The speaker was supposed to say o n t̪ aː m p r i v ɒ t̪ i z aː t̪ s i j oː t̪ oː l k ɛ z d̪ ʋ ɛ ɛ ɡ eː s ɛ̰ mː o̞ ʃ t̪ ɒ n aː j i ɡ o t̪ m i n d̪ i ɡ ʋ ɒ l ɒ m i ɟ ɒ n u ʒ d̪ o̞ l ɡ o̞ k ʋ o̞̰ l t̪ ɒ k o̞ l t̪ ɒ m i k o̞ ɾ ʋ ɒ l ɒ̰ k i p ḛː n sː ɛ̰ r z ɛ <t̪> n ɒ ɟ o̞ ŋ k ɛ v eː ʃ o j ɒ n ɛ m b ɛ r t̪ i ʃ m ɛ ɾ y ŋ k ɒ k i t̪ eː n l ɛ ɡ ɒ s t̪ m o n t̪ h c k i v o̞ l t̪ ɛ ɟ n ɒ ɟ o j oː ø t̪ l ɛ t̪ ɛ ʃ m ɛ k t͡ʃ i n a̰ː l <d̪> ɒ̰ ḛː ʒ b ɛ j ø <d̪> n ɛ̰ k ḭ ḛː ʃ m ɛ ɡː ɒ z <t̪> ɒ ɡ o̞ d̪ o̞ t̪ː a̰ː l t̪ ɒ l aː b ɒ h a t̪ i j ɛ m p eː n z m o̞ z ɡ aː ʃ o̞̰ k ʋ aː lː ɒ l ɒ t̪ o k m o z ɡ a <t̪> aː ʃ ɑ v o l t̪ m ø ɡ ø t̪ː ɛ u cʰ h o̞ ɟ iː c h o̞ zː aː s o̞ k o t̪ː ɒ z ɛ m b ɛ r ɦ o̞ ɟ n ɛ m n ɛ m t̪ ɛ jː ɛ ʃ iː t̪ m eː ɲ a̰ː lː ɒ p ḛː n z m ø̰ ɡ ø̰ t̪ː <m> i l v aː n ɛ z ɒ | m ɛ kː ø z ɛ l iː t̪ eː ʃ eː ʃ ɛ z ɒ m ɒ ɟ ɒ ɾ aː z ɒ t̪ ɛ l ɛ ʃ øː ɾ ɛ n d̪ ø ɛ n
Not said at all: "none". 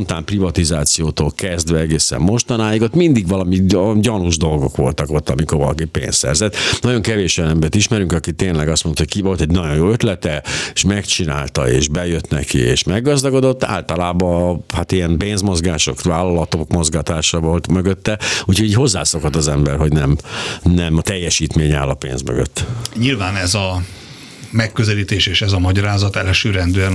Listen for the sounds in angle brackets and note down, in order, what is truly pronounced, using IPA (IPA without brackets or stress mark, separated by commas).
t̪, t̪, t̪, d̪, t̪, ɲ